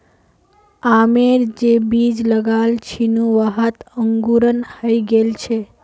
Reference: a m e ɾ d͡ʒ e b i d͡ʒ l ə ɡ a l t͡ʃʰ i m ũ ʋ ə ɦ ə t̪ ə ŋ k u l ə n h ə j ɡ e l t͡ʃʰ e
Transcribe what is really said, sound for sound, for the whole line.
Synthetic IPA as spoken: a m e ɾ d͡ʒ e b i d͡ʒ l ə ɡ a l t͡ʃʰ i n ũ ʋ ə ɦ ə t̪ ə ŋ ɡ u ɾ ə n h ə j ɡ e l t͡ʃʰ e